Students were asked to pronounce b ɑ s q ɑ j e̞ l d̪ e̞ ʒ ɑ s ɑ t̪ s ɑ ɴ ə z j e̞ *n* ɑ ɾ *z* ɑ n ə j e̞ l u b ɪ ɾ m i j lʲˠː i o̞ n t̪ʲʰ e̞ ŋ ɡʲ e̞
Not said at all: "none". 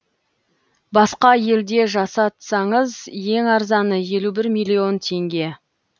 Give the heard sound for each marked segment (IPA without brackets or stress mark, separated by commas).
ŋ, z